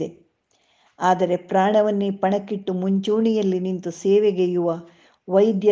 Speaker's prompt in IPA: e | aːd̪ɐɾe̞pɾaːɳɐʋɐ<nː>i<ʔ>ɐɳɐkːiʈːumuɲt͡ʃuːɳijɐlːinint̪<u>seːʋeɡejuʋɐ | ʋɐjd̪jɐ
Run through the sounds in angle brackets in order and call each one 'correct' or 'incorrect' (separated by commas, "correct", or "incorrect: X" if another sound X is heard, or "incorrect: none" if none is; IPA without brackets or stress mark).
correct, incorrect: p, correct